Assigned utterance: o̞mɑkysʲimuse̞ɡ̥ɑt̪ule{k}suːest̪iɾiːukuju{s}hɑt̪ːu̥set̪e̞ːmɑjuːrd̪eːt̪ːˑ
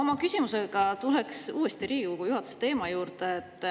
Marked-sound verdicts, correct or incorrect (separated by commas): correct, incorrect